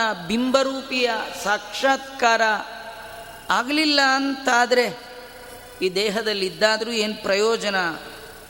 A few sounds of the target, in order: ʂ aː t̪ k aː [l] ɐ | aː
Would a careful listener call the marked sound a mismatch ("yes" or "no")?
yes